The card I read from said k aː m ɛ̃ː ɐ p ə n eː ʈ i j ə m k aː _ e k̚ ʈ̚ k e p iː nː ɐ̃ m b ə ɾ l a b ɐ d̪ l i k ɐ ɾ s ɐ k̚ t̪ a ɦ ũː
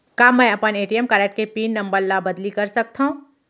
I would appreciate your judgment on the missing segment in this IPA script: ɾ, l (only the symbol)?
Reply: ɾ